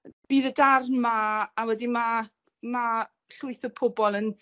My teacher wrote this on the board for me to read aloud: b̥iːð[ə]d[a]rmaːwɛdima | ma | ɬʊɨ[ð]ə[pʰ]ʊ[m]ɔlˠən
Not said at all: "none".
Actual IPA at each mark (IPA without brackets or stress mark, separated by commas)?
ə, a, θ, pʰ, b